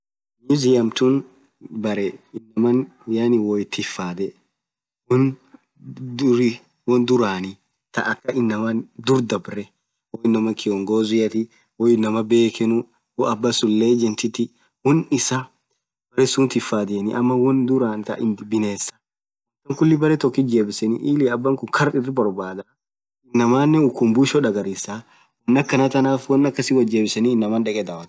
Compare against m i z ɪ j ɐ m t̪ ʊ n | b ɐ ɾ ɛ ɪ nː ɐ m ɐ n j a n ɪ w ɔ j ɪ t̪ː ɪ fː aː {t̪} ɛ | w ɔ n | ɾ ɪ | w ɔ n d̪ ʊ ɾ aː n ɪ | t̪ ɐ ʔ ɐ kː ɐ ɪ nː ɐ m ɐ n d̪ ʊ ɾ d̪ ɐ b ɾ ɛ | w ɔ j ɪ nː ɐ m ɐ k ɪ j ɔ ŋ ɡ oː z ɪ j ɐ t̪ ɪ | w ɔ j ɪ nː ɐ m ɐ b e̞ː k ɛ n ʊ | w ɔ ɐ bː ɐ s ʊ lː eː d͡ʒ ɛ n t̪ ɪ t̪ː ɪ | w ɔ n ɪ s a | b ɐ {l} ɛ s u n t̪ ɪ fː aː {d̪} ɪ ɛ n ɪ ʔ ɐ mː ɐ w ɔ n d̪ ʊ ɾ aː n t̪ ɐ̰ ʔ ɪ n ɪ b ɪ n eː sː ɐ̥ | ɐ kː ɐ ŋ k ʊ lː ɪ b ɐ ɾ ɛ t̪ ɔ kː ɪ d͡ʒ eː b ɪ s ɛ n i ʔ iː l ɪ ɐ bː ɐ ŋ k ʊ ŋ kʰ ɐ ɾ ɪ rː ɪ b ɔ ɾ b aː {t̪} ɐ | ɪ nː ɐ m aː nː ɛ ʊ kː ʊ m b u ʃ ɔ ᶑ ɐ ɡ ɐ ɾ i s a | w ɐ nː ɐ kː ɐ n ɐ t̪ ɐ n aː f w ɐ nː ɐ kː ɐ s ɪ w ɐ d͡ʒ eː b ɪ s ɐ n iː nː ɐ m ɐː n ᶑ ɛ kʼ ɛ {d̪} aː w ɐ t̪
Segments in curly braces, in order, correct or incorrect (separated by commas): incorrect, incorrect, correct, incorrect, correct